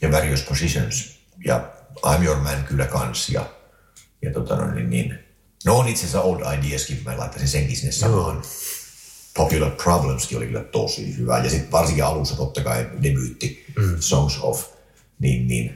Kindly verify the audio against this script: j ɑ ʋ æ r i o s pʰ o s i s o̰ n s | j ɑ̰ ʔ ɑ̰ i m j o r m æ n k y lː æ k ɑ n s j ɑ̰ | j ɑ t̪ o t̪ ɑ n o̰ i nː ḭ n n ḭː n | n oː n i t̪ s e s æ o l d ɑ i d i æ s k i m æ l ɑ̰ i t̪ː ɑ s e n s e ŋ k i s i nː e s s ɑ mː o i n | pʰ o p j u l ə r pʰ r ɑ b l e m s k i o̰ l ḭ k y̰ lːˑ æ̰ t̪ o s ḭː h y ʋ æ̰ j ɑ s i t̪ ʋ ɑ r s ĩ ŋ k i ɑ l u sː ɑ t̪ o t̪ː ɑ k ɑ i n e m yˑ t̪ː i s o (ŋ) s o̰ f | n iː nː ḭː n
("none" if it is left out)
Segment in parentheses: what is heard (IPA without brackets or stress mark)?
ŋ